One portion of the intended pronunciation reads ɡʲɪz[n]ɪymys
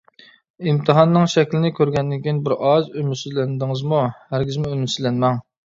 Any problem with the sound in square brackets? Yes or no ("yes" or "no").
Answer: yes